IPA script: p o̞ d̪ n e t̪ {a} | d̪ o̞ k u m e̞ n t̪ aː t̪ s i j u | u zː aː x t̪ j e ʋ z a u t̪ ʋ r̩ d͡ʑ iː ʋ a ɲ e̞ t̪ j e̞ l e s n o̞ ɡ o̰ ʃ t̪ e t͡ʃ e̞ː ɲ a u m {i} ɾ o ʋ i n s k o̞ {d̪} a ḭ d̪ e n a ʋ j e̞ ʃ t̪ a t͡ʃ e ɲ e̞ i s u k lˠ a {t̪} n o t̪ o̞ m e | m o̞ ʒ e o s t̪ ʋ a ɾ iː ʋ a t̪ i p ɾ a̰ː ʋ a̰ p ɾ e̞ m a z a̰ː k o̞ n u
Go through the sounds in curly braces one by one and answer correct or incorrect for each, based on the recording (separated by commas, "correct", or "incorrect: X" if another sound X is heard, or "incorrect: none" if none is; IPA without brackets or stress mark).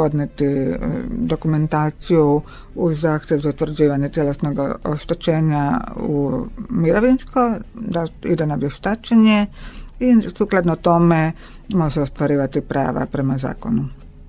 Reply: incorrect: i, correct, correct, incorrect: d̪